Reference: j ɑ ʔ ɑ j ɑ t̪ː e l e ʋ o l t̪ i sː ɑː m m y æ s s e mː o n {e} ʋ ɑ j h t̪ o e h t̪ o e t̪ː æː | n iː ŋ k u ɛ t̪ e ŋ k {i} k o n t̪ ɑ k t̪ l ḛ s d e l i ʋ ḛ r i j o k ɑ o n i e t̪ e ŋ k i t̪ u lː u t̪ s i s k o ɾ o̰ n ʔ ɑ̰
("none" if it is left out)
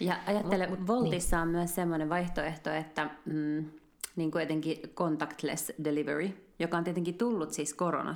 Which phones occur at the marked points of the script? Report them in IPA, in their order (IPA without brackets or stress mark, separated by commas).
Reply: e, i